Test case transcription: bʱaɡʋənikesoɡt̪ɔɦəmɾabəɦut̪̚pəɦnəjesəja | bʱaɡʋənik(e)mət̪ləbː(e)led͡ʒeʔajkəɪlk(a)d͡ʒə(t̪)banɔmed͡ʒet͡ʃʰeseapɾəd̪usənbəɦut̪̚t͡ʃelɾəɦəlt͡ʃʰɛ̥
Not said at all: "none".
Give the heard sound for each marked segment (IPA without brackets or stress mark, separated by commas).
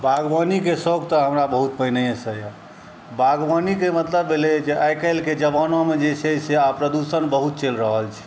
e, e, e, none